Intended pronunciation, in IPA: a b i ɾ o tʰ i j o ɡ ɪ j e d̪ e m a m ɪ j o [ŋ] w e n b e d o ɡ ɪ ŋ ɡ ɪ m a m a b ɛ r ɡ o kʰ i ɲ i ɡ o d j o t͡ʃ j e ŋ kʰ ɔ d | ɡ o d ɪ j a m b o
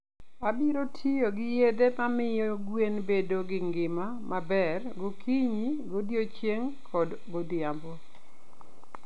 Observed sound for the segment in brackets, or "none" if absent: ɡ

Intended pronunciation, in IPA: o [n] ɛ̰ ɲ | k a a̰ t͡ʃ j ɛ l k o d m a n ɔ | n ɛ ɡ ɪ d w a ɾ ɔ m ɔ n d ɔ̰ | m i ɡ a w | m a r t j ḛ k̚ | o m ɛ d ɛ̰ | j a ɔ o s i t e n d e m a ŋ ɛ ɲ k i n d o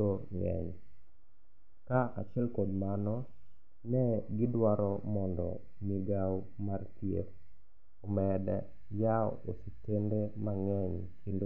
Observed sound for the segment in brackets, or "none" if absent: ŋ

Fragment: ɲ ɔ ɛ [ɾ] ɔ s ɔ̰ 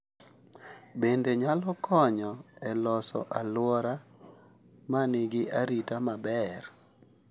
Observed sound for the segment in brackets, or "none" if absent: l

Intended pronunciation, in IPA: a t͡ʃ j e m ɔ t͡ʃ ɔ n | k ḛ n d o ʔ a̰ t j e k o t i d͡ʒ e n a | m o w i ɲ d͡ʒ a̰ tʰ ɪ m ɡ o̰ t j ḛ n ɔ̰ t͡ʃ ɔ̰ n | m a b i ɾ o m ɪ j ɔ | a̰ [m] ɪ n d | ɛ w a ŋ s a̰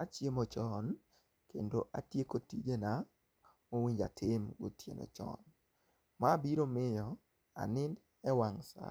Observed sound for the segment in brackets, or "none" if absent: n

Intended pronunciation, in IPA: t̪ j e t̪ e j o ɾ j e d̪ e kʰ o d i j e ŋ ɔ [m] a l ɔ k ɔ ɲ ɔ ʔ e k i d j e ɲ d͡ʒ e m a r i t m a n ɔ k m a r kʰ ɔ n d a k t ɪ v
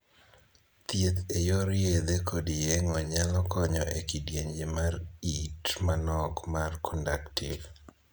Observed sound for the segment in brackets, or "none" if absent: ɲ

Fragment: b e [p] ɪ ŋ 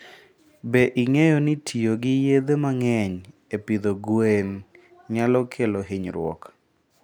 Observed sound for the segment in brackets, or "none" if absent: ʔ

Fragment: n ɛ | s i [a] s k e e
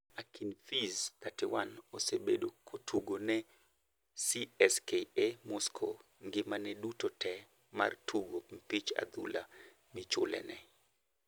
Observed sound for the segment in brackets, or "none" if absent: ɛ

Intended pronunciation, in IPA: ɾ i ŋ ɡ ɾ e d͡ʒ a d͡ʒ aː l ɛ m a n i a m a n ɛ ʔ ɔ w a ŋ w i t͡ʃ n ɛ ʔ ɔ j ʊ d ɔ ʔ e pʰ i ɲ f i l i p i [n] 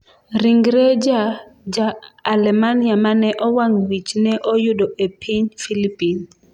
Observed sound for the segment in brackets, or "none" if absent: n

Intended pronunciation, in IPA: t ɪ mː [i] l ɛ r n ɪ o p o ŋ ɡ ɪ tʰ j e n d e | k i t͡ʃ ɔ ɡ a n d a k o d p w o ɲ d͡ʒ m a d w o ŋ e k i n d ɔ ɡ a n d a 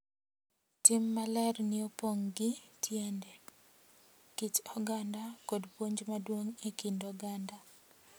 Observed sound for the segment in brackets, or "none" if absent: a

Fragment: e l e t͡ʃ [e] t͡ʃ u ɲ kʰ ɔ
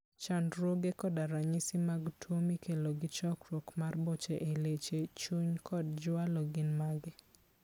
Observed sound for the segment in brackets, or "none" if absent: e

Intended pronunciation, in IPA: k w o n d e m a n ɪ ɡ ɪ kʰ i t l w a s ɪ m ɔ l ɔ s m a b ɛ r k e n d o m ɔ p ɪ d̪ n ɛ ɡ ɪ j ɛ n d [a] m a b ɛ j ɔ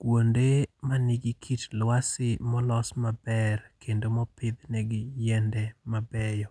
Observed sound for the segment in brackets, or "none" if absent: ɛ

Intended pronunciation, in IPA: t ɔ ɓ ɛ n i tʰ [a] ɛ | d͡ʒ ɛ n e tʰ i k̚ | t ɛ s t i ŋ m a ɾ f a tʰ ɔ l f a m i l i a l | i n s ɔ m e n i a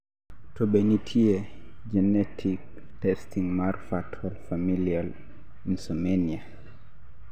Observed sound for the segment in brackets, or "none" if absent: i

